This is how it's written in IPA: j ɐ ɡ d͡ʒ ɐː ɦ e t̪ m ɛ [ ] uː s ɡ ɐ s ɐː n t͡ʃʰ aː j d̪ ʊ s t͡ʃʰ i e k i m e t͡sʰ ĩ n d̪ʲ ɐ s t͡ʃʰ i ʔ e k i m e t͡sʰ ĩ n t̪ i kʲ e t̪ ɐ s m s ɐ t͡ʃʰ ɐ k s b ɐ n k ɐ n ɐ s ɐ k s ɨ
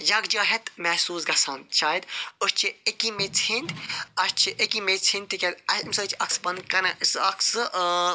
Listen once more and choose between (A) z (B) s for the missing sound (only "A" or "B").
B